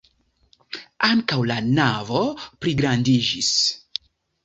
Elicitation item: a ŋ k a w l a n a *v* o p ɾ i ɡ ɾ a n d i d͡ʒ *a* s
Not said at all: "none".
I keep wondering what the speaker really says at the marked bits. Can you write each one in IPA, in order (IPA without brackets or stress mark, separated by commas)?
v, i